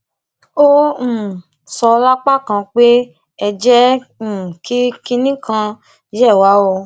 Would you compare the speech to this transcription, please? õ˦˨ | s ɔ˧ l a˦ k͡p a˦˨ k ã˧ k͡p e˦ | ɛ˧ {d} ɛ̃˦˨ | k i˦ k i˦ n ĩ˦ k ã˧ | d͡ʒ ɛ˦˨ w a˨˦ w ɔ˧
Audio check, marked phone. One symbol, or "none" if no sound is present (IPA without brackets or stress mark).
d͡ʒ